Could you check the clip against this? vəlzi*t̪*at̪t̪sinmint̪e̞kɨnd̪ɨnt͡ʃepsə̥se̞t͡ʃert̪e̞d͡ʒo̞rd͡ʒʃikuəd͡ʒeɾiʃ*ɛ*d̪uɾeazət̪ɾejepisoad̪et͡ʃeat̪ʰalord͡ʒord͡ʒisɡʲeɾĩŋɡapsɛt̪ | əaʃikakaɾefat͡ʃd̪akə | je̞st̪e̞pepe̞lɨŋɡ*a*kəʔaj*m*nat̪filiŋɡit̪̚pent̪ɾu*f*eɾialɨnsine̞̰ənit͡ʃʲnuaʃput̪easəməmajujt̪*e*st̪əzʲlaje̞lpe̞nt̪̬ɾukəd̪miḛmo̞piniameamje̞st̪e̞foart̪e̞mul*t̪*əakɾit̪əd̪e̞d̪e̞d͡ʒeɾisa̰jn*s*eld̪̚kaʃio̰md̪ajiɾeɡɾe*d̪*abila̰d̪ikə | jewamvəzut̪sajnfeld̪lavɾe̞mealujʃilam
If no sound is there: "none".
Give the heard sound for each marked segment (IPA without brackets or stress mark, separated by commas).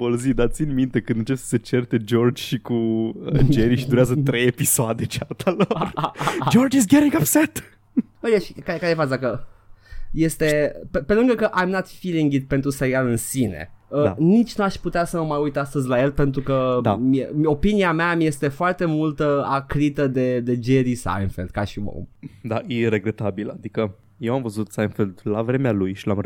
d̪, i, ə, m, s, a, t̪, f, t̪